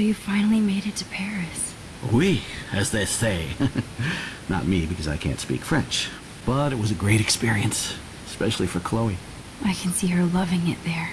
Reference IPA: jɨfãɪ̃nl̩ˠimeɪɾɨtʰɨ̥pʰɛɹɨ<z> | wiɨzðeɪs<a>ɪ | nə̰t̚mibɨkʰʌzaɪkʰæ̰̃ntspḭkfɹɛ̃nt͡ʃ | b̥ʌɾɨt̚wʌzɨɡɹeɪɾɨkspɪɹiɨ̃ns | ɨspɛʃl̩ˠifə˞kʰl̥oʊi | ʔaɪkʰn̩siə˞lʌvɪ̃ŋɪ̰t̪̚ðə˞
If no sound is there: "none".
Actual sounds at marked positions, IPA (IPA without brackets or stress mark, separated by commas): s, e